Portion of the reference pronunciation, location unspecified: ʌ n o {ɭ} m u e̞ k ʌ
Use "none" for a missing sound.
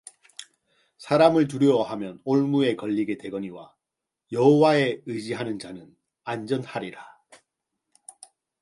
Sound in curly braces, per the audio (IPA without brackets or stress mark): ɭ